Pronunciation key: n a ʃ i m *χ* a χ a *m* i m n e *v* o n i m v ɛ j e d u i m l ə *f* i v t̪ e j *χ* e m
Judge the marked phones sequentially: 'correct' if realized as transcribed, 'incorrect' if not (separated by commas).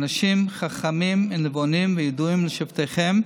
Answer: correct, correct, correct, incorrect, correct